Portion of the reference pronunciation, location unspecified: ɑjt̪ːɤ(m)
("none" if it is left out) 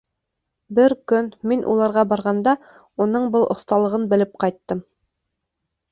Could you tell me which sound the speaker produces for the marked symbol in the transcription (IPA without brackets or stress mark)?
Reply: m